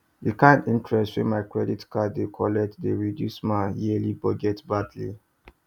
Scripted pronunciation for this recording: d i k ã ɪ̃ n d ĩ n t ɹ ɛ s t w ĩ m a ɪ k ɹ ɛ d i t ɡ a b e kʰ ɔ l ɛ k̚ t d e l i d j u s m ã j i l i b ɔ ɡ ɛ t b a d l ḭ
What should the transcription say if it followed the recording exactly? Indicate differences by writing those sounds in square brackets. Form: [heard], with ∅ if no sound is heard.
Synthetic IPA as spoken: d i k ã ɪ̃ n d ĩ n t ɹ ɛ s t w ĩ m a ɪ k ɹ ɛ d i t [k] a [d] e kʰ ɔ l ɛ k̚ t d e [ɹ] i d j u s m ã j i l i b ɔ ɡ ɛ t b a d l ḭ